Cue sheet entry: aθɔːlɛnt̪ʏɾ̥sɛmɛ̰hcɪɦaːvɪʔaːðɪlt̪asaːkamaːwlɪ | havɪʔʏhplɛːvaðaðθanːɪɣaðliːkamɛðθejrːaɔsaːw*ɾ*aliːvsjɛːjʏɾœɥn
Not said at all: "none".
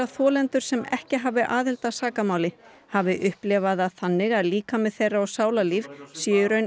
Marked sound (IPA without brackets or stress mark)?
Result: l